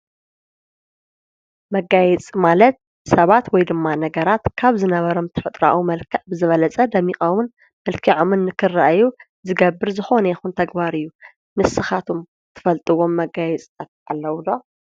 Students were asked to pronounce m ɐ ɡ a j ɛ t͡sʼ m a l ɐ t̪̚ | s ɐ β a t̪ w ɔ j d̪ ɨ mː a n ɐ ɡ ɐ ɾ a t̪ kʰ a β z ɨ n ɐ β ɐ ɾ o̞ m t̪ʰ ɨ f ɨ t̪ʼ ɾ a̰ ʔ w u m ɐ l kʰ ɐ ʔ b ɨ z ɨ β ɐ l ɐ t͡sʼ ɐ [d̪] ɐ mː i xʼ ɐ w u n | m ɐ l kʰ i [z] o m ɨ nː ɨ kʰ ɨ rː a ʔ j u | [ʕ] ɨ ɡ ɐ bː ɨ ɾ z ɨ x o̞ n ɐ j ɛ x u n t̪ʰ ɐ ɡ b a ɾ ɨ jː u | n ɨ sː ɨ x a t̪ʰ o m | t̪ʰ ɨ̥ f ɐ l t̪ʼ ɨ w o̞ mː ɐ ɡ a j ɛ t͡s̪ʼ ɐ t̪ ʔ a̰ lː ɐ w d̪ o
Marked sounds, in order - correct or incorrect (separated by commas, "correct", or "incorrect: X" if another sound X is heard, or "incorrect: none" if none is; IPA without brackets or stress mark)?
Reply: correct, incorrect: ʕ, incorrect: z